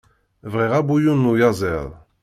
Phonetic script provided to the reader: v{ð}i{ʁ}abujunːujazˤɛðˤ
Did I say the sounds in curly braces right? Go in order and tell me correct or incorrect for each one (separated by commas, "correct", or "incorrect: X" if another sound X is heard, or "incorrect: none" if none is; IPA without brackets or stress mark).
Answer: incorrect: ʁ, correct